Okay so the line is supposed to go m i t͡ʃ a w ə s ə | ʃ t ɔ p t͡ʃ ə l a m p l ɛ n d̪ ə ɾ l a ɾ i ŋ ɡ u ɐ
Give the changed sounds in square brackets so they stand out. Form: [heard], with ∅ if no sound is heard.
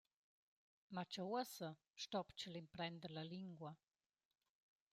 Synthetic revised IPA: m [a] t͡ʃ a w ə s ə | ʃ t ɔ p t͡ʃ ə l [i] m p [ɾ] ɛ n d̪ ə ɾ l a [l] i ŋ ɡ [w] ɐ